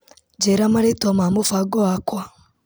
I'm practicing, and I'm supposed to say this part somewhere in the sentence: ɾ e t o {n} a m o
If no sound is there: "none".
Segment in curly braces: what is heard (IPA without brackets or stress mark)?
m